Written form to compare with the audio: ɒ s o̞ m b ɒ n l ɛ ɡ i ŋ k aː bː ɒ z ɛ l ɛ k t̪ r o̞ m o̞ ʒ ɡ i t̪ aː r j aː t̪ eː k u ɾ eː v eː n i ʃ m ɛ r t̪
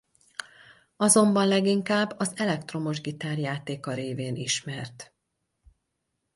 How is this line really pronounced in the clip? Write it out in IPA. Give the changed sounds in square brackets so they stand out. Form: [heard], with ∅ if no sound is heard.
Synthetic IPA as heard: ɒ [z] o̞ m b ɒ n l ɛ ɡ i ŋ k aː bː ɒ z ɛ l ɛ k t̪ r o̞ m o̞ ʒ ɡ i t̪ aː r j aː t̪ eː k [ɒ] ɾ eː v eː n i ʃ m ɛ r t̪